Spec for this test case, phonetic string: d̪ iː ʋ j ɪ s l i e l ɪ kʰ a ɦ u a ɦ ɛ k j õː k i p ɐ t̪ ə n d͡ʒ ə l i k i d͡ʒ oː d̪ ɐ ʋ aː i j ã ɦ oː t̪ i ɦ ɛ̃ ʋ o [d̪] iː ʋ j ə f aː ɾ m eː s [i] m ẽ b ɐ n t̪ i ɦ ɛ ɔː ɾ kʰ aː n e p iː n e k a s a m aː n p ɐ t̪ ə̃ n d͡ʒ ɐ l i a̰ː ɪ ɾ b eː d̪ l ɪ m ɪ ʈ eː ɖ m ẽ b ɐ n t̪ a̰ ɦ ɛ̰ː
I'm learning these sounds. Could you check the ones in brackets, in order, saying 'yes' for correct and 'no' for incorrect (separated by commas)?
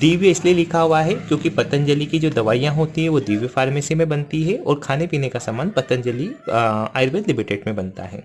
yes, yes